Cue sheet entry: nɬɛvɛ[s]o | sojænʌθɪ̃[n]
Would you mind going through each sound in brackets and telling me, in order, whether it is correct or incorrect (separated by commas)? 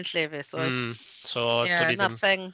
correct, incorrect